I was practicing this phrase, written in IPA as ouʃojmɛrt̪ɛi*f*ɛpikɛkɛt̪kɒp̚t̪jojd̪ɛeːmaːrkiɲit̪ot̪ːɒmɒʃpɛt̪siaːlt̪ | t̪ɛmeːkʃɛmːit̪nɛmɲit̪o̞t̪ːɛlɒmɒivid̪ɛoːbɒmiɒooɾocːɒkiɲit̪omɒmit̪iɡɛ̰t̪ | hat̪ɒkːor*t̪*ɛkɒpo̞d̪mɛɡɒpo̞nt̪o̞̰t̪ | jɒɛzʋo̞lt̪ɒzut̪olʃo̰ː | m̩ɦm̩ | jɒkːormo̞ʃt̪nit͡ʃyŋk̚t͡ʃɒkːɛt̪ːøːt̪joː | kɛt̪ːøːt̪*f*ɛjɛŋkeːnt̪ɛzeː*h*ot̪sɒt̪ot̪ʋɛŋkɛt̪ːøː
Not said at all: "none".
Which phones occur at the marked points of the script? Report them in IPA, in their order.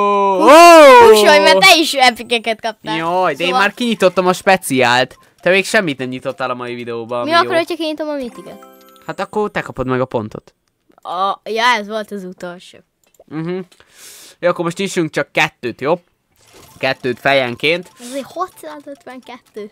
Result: ʃ, t̪, f, h

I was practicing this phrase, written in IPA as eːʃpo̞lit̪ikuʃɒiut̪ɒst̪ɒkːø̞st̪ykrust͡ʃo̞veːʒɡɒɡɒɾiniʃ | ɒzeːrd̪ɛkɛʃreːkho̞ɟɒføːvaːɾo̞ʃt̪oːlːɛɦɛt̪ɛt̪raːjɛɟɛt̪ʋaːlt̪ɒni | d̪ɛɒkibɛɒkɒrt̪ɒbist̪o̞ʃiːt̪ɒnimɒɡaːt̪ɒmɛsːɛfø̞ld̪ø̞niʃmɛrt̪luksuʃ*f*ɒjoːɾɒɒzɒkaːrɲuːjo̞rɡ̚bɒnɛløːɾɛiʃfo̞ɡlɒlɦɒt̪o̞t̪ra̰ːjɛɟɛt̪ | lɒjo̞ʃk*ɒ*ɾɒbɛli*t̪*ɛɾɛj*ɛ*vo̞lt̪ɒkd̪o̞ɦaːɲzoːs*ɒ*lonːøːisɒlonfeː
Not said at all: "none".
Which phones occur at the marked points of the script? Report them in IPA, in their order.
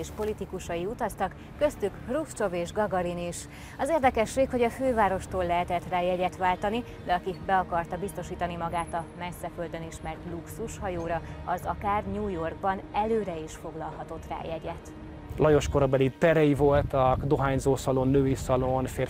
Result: h, o, t̪, i, ɒ

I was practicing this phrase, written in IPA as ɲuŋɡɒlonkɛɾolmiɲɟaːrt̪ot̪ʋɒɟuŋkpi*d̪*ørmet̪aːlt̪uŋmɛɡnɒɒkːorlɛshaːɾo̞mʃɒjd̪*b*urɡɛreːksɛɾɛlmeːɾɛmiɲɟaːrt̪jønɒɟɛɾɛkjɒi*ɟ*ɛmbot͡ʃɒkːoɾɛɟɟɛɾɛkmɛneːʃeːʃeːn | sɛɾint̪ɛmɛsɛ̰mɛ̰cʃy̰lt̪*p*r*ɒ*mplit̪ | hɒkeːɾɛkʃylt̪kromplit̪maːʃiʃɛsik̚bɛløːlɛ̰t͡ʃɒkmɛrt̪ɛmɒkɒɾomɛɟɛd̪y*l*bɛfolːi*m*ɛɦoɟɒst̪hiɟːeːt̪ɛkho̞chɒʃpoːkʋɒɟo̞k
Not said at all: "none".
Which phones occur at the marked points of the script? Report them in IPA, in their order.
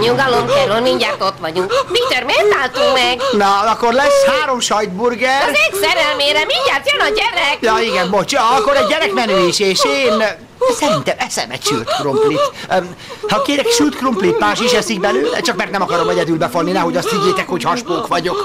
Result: t̪, b, ɡ, k, o, l, n

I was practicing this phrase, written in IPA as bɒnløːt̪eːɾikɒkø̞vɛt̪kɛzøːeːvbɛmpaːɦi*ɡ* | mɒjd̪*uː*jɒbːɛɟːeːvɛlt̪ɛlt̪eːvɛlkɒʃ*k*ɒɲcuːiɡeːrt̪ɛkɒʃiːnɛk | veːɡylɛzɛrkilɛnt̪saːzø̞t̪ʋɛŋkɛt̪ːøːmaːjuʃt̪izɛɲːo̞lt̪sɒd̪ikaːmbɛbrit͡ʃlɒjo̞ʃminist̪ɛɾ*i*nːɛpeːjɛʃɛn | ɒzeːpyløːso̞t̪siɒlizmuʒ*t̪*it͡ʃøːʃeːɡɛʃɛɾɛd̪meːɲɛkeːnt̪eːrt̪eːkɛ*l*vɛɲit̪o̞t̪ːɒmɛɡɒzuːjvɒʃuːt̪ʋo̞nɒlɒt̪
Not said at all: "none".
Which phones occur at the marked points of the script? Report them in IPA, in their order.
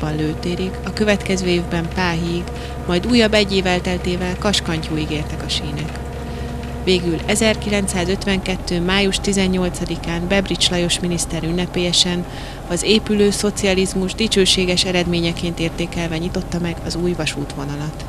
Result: ɡ, uː, k, y, d̪, l

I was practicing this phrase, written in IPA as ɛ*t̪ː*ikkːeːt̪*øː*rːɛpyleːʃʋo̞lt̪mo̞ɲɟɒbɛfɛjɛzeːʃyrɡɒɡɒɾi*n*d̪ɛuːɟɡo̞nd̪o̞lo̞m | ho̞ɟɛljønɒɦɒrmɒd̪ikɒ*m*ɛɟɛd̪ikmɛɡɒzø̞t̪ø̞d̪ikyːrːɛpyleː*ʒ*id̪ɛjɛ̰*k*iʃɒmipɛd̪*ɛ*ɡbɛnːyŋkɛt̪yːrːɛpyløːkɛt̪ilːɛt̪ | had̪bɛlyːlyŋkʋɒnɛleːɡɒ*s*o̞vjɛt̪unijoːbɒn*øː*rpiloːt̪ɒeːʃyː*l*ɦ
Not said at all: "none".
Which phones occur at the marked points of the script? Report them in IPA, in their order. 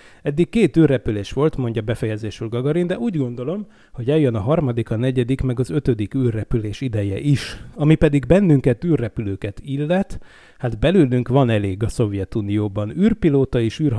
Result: d̪ː, yː, n, n, ʃ, ʔ, i, s, yː, r

